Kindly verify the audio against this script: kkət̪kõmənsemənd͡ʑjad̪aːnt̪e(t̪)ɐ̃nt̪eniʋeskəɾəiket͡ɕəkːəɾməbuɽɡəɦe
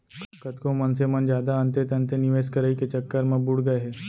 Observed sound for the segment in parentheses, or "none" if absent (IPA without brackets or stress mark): t̪